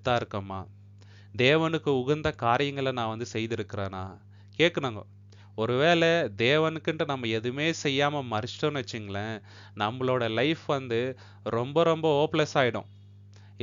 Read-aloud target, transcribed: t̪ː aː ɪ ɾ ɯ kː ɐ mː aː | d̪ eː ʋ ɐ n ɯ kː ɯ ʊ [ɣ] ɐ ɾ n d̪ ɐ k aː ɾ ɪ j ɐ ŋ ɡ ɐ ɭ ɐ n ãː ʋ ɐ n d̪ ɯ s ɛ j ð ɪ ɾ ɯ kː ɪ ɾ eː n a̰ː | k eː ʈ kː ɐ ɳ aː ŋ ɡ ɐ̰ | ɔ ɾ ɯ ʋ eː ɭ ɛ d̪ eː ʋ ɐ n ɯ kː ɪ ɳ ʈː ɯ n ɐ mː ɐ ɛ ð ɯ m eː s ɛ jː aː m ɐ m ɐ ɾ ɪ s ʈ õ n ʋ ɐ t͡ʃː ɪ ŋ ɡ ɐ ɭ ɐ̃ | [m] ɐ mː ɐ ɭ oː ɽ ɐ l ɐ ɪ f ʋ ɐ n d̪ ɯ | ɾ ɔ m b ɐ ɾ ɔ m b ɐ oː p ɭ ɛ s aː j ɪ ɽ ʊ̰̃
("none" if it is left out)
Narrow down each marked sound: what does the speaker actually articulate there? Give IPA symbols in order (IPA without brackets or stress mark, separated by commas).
ɣ, n